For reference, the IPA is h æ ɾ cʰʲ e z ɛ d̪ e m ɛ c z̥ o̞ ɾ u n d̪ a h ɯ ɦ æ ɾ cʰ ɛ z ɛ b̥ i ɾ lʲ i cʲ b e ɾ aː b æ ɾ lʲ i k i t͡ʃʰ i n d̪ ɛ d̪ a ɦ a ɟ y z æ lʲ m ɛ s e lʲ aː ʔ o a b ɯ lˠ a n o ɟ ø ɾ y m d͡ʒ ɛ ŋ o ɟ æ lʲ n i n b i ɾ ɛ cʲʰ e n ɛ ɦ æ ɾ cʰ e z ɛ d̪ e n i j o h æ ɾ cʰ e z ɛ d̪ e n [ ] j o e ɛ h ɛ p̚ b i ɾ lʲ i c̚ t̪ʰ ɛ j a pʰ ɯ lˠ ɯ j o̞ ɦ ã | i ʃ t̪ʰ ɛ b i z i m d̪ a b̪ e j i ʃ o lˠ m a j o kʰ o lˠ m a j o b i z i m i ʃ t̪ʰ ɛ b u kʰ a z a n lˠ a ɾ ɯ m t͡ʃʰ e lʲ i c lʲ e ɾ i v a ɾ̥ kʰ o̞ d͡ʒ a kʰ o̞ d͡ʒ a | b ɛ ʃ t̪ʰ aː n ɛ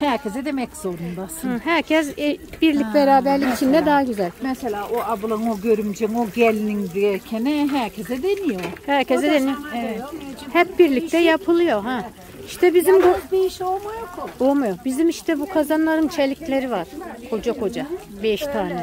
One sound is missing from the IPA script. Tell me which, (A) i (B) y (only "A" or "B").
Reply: A